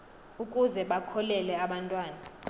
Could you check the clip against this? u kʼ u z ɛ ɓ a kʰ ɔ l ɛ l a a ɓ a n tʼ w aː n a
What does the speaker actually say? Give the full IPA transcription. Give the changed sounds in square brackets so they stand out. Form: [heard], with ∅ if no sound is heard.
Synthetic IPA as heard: u kʼ u z ɛ ɓ a kʰ ɔ l ɛ l [ɛ] a ɓ a n tʼ w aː n a